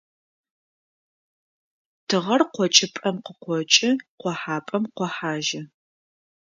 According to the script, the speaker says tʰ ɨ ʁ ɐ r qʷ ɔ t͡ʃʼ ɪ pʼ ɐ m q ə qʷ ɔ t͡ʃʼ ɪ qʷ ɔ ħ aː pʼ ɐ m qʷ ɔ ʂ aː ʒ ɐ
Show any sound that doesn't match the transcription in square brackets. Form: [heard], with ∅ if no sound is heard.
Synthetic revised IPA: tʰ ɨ ʁ ɐ r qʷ ɔ t͡ʃʼ ɪ pʼ ɐ m q ə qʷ ɔ t͡ʃʼ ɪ qʷ ɔ ħ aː pʼ ɐ m qʷ ɔ [ħ] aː ʒ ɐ